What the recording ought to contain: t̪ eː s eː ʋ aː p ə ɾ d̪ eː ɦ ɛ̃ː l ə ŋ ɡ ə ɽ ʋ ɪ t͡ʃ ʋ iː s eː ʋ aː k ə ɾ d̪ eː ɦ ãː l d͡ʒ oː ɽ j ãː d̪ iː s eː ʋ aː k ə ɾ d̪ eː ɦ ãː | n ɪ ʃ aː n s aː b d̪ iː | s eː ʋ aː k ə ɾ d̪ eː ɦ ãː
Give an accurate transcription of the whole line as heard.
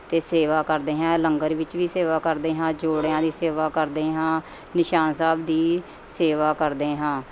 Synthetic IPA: t̪ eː s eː ʋ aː k ə ɾ d̪ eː ɦ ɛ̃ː l ə ŋ ɡ ə ɾ ʋ ɪ t͡ʃ ʋ iː s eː ʋ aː k ə ɾ d̪ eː ɦ ãː d͡ʒ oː ɽ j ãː d̪ iː s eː ʋ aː k ə ɾ d̪ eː ɦ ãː | n ɪ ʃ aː n s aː b d̪ iː | s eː ʋ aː k ə ɾ d̪ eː ɦ ãː